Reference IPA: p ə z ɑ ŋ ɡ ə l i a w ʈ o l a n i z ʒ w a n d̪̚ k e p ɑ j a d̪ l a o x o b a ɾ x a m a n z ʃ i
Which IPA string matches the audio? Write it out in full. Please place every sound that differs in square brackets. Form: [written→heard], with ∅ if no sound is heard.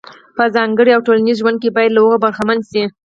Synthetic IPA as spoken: p ə z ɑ ŋ ɡ ə [l→ɽ] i a w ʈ o l a n i z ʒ w a n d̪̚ k e [p→b] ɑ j a d̪ l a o [x→ɣ] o b a ɾ x a m a n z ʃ i